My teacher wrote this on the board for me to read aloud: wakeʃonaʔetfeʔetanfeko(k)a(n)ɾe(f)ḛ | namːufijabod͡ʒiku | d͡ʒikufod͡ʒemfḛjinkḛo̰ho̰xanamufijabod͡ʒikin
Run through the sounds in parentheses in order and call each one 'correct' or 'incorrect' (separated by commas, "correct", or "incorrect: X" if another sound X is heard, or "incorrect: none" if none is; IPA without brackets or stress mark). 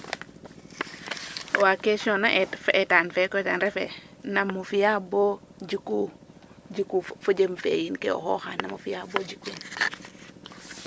incorrect: t, correct, correct